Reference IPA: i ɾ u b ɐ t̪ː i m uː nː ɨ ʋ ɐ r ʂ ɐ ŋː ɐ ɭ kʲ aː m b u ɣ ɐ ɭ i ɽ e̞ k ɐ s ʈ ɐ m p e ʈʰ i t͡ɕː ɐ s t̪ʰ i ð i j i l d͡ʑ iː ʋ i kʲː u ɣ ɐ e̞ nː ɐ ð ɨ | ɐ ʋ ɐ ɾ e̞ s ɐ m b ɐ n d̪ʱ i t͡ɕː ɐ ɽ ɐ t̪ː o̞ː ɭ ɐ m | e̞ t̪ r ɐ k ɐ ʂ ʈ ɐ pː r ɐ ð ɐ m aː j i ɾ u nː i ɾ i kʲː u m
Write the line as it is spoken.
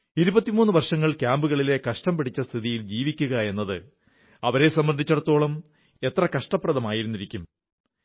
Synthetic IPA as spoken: i ɾ u b ɐ t̪ː i m uː nː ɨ ʋ ɐ r ʂ ɐ ŋː ɐ ɭ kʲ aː m b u ɣ ɐ ɭ i l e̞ k ɐ ʂ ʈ ɐ m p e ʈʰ i t͡ɕː ɐ s t̪ʰ i ð i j i l d͡ʑ iː ʋ i kʲː u ɣ ɐ e̞ nː ɐ ð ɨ | ɐ ʋ ɐ ɾ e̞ s ɐ m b ɐ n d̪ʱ i t͡ɕː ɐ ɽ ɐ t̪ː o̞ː ɭ ɐ m | e̞ t̪ r ɐ k ɐ ʂ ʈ ɐ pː r ɐ ð ɐ m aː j i ɾ u nː i ɾ i kʲː u m